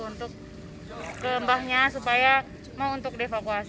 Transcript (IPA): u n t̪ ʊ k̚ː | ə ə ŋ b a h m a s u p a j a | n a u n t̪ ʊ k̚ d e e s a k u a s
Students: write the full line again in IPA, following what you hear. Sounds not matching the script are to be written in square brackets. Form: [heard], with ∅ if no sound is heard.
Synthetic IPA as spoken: u n t̪ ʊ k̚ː | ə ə [m] b a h [ɲ] a s u p a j a | [m] a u n t̪ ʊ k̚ d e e [f] a k u a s